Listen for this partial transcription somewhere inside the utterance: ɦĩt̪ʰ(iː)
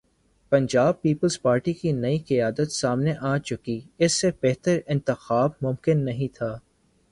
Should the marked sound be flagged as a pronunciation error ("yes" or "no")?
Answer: yes